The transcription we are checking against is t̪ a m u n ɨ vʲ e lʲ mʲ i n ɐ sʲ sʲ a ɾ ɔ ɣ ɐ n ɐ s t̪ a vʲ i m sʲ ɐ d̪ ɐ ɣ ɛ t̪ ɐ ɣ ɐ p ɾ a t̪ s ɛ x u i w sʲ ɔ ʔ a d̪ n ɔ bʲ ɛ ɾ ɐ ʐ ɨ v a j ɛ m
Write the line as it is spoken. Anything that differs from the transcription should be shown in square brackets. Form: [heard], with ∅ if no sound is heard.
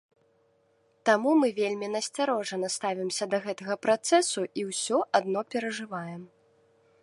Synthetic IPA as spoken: t̪ a m u [m] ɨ vʲ e lʲ mʲ i n ɐ sʲ [t͡sʲ] a ɾ ɔ [ʐ] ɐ n ɐ s t̪ a vʲ i m sʲ ɐ d̪ ɐ ɣ ɛ t̪ ɐ ɣ ɐ p ɾ a t̪ s ɛ [s] u i w sʲ ɔ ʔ a d̪ n ɔ [pʲ] ɛ ɾ ɐ ʐ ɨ v a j ɛ m